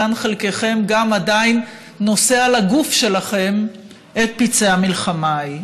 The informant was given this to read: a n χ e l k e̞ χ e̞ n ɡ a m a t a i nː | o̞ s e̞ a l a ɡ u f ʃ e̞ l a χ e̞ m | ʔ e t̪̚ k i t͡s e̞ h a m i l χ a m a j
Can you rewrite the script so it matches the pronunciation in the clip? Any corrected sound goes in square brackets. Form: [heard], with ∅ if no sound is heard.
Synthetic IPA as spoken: a n χ e l k e̞ χ e̞ [m] ɡ a m a [d] a i nː | o̞ s e̞ a l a ɡ u f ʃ e̞ l a χ e̞ m | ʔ e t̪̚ [p] i t͡s e̞ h a m i l χ a m a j